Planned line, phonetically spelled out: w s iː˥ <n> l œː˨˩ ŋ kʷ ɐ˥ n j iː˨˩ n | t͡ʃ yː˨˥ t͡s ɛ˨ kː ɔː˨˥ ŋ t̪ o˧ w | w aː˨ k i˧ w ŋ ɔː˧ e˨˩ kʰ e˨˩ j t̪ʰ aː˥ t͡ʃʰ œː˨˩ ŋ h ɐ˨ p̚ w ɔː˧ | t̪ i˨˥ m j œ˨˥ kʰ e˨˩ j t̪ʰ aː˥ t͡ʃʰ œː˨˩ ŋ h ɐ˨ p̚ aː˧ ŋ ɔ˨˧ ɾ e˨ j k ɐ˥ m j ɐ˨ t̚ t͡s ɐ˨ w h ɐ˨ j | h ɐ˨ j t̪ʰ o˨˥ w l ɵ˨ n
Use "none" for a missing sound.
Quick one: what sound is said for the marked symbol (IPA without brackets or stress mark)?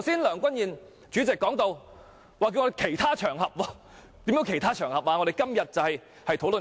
n